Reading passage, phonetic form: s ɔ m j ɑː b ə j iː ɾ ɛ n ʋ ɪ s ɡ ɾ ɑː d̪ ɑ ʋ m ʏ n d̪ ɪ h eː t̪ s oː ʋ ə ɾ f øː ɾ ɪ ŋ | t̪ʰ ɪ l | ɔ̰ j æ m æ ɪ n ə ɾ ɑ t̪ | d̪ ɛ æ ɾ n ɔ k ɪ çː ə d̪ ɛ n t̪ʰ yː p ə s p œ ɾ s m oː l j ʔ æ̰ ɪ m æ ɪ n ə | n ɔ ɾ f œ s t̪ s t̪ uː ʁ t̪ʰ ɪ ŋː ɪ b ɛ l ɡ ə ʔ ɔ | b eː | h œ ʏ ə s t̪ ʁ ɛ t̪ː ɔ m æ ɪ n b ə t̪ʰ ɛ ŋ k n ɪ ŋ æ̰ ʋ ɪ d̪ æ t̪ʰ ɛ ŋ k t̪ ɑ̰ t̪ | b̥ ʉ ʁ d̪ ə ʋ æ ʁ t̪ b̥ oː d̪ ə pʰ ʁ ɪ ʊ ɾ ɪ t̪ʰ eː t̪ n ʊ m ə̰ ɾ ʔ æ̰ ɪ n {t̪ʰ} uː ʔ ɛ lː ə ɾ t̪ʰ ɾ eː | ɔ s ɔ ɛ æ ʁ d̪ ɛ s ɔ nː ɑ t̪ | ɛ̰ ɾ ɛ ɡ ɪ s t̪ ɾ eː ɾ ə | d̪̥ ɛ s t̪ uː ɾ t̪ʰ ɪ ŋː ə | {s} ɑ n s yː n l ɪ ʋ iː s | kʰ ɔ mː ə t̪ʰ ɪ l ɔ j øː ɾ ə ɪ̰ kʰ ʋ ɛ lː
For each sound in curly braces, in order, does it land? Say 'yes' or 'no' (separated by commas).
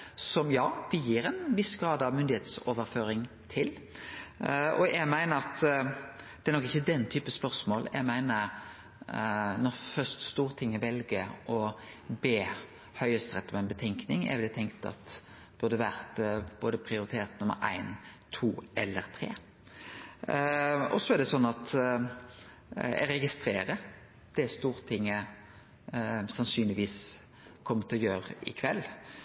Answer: yes, yes